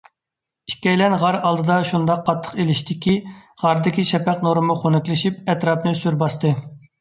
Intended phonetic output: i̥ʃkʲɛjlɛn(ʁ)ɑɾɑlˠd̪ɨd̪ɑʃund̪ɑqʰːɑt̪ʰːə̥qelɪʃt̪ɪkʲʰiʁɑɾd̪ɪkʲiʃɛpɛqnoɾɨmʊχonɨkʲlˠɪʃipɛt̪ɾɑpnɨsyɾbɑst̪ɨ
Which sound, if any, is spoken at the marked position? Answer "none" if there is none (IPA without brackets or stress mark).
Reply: ʁ